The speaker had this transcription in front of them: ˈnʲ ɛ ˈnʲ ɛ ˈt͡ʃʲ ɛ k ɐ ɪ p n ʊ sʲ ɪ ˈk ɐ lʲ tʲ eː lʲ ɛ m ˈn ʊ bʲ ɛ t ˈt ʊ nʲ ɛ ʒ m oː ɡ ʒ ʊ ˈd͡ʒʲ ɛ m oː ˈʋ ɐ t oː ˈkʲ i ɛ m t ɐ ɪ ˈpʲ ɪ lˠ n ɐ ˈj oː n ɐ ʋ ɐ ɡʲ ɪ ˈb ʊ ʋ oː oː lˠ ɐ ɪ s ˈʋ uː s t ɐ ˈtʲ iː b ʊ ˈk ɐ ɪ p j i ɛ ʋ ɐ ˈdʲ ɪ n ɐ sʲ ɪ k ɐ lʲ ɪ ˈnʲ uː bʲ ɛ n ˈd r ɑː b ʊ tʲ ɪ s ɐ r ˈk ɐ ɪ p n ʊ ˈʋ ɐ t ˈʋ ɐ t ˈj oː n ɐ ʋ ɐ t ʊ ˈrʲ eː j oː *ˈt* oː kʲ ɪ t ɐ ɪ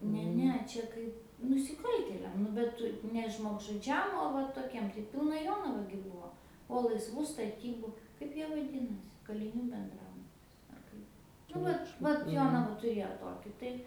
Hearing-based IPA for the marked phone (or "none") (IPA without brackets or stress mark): t